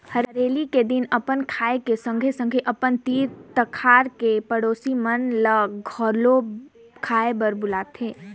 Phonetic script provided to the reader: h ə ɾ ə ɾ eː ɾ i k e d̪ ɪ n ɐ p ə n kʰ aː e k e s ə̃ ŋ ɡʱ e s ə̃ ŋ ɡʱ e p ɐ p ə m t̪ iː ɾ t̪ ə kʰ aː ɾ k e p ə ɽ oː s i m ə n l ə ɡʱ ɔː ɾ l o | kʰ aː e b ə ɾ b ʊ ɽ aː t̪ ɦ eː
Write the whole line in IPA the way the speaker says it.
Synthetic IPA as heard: h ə ɾ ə ɾ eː l i k e d̪ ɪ n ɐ p ə n kʰ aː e k e s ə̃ ŋ ɡʱ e s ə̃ ŋ ɡʱ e ʔ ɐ p ə n t̪ iː ɾ t̪ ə kʰ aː ɾ k e p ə ɽ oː s i m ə n l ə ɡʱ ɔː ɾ l o | kʰ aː e b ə ɾ b ʊ l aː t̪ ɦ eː